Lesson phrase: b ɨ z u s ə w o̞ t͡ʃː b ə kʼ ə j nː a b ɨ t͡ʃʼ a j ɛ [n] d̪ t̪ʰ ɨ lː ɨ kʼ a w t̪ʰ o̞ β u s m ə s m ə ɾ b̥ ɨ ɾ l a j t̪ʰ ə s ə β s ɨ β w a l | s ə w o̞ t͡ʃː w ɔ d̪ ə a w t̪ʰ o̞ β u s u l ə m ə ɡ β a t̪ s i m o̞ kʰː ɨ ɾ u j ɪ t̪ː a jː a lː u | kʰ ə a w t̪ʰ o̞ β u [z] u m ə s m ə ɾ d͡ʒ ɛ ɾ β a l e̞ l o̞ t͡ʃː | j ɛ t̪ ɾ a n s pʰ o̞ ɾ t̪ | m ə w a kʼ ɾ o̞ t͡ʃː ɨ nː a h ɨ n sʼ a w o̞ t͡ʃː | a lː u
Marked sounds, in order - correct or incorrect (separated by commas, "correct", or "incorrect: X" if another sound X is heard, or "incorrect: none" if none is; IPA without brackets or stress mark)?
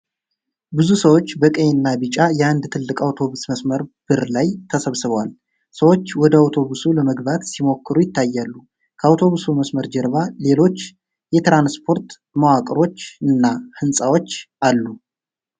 correct, incorrect: s